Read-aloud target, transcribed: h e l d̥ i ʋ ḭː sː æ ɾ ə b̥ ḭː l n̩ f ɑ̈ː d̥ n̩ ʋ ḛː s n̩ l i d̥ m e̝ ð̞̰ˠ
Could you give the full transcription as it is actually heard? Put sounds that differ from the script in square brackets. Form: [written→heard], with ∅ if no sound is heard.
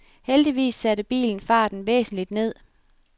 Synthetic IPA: h e l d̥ i ʋ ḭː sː æ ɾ ə b̥ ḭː l n̩ f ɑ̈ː d̥ n̩ ʋ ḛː s n̩ l i d̥ [m→n] e̝ ð̞̰ˠ